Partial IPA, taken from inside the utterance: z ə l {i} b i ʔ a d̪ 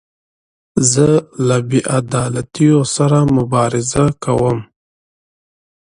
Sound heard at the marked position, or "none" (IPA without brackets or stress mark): a